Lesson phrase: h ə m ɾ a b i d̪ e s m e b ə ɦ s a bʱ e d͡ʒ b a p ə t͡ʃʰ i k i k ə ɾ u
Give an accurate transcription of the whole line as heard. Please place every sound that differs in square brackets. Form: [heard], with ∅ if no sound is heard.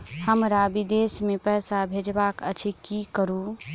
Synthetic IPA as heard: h ə m ɾ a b i d̪ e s m e [p] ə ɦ s a bʱ e d͡ʒ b a [k] ə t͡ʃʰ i k i k ə ɾ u